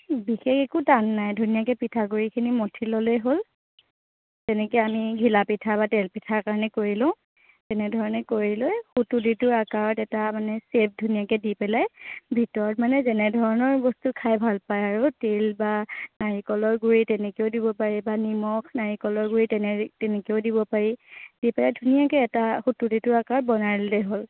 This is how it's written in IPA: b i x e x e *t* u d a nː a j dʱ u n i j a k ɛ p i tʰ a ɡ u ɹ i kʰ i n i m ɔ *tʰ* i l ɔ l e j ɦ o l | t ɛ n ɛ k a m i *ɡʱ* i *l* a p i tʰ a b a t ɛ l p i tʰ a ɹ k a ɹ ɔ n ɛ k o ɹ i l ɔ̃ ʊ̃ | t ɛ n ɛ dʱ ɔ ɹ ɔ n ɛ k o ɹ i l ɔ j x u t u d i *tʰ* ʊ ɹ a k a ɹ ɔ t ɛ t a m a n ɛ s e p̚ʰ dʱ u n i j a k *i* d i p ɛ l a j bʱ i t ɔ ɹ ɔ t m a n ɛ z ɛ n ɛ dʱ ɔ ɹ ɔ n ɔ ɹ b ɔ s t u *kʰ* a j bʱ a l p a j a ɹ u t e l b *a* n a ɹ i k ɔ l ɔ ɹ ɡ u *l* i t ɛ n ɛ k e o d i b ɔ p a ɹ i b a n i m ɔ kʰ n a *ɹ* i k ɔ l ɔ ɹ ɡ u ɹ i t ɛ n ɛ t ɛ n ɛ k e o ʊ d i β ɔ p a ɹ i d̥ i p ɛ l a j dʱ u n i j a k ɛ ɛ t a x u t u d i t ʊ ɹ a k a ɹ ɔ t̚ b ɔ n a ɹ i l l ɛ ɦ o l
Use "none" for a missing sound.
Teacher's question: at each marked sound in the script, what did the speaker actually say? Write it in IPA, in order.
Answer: k, tʰ, ɡʱ, l, t, ɛ, kʰ, a, ɹ, ɹ

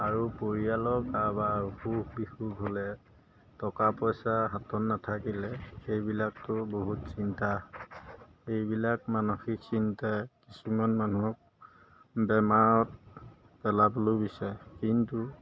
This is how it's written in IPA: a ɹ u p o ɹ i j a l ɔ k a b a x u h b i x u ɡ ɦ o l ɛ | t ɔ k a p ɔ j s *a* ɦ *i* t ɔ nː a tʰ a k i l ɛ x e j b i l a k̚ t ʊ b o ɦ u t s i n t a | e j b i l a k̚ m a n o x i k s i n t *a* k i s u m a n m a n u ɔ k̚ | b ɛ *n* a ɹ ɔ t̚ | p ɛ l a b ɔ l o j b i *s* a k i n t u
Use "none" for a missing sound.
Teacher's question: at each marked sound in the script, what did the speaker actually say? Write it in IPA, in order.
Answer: a, a, a, m, s

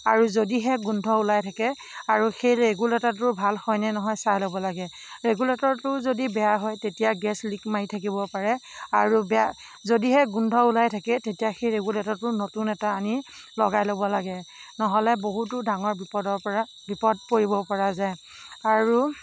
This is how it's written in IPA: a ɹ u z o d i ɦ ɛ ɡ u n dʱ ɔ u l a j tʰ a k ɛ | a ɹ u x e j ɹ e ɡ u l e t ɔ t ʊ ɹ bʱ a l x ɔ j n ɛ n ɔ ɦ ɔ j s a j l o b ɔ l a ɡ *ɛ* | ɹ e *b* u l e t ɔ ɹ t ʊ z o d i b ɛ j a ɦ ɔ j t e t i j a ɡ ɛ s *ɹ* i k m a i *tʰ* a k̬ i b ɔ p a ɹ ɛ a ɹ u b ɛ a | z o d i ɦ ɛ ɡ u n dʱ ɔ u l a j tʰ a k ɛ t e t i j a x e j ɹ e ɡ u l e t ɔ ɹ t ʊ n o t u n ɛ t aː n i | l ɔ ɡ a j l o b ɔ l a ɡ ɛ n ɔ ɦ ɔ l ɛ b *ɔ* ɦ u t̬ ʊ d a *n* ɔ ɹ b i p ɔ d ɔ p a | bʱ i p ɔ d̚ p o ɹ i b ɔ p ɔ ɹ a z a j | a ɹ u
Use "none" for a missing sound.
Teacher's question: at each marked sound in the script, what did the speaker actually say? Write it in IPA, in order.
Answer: ɛ, ɡ, l, tʰ, o, ŋ

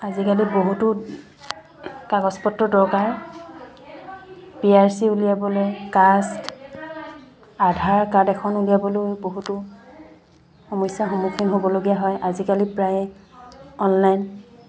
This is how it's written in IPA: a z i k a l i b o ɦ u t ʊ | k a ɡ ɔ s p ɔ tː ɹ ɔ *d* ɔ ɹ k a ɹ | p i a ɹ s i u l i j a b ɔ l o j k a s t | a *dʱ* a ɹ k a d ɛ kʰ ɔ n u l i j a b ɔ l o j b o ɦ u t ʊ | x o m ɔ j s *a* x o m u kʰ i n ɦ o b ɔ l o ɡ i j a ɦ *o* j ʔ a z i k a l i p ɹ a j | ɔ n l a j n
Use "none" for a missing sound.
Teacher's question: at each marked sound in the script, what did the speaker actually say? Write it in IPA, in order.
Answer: d, dʱ, a, ɔ

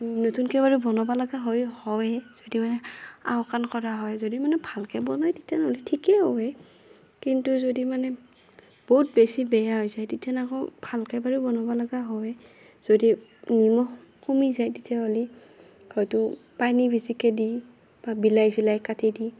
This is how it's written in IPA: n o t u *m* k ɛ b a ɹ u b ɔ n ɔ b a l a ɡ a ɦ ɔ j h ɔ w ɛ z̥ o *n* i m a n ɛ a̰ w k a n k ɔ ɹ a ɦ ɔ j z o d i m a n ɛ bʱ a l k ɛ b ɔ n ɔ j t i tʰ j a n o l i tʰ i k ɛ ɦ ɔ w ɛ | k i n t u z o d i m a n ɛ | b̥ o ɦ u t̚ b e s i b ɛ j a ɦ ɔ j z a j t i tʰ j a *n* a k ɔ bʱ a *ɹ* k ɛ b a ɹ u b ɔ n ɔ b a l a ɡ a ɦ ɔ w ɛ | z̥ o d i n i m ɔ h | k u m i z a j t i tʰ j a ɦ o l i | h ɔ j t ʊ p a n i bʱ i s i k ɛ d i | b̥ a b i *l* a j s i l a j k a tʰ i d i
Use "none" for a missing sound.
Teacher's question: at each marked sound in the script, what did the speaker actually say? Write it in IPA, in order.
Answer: n, d, n, l, l

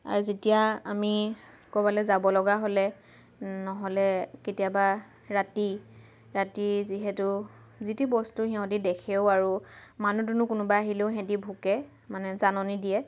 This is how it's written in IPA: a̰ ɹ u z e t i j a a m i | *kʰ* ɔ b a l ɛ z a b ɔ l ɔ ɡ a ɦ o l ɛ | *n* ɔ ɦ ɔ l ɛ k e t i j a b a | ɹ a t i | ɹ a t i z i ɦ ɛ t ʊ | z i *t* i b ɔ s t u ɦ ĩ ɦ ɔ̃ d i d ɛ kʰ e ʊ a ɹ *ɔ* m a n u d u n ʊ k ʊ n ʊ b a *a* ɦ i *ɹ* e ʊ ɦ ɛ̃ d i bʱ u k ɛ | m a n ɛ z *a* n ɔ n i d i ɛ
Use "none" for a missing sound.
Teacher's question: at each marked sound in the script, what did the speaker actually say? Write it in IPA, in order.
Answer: k, n, t, u, a, l, a

